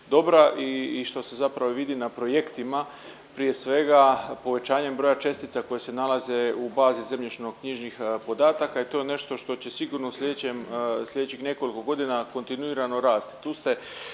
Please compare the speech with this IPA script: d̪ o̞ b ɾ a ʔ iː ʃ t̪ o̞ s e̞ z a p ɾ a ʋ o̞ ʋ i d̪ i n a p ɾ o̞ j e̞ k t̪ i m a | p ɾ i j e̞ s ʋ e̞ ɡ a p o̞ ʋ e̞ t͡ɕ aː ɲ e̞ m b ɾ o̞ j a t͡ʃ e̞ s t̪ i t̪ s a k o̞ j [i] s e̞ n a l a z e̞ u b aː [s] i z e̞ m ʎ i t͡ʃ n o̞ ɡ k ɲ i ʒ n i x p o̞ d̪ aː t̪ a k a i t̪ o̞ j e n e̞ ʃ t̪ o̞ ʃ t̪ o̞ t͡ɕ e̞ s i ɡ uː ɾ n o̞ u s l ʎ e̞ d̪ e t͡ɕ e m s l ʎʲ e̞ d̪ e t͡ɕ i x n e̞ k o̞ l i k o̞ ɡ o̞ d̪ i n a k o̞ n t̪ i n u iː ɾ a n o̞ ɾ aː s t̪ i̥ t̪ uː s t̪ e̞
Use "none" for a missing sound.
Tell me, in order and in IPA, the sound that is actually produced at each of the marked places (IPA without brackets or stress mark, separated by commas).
e, z